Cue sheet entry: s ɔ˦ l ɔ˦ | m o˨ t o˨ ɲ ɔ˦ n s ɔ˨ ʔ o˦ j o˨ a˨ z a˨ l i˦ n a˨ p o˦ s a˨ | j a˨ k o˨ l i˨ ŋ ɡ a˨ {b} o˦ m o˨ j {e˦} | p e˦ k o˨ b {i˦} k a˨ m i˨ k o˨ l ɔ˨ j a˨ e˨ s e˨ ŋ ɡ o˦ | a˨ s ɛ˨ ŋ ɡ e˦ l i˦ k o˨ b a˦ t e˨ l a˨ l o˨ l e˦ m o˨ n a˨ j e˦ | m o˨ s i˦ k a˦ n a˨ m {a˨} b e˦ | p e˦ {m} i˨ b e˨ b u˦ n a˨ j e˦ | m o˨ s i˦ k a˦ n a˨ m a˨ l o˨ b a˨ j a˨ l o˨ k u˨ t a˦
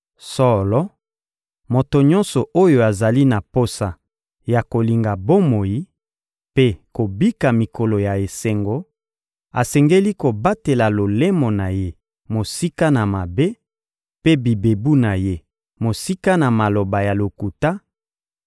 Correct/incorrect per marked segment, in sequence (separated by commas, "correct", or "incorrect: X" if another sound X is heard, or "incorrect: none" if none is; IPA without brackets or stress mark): correct, incorrect: i˦, correct, correct, incorrect: b